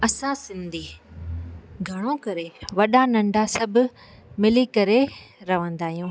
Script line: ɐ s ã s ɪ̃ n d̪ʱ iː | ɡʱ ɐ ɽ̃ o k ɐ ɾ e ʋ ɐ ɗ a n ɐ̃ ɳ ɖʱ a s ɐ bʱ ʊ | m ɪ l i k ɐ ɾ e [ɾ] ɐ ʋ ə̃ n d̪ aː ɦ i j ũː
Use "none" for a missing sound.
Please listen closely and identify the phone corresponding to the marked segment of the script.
ɾ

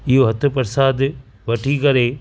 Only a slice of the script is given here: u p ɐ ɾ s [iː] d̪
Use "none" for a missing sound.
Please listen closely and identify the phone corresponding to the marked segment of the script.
aː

